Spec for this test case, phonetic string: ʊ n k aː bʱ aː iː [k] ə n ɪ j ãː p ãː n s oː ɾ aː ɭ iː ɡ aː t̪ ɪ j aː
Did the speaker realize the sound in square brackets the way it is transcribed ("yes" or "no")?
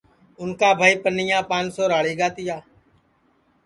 no